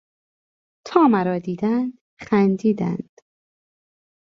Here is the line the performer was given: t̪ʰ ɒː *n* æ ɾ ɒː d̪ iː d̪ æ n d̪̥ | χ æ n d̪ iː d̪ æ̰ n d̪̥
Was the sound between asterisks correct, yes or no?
no